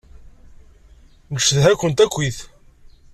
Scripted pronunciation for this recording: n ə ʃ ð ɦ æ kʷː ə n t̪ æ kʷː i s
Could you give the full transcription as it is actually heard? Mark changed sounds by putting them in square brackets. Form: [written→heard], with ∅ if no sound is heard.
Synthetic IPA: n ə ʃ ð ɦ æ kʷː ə n t̪ æ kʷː i [s→θ]